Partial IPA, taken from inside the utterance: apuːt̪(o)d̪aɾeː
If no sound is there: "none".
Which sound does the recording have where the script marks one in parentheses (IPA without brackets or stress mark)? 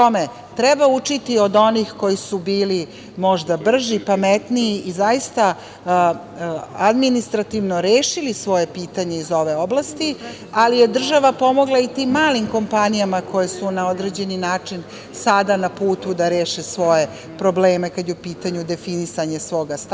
u